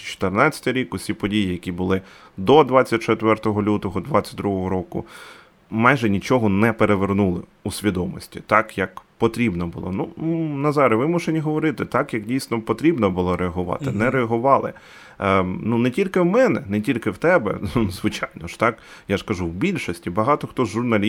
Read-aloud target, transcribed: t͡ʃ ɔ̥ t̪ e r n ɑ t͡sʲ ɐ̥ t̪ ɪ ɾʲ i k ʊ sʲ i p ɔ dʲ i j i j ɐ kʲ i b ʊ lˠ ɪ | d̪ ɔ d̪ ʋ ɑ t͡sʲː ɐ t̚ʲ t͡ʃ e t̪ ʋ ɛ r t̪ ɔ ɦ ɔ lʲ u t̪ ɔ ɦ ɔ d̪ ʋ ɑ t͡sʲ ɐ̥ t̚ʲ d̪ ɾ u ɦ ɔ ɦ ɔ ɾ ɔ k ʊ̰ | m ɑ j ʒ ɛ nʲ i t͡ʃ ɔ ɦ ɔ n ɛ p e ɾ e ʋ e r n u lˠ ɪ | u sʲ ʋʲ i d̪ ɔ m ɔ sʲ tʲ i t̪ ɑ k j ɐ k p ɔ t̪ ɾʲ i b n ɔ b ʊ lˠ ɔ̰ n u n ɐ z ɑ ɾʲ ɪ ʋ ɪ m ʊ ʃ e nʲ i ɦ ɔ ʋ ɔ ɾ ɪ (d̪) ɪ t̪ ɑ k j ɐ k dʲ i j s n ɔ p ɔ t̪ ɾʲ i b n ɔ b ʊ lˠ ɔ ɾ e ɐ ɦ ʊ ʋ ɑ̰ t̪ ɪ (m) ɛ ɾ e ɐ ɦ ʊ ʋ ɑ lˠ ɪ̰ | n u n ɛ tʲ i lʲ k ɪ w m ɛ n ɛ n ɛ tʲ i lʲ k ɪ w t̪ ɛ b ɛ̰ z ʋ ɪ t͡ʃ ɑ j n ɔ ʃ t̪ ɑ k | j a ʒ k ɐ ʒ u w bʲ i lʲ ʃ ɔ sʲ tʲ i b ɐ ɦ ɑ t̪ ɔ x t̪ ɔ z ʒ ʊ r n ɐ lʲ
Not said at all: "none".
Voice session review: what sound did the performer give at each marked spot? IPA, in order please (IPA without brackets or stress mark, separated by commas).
t̪, n